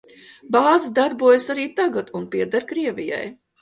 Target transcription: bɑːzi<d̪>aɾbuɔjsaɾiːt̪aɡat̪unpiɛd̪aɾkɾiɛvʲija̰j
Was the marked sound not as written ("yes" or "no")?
no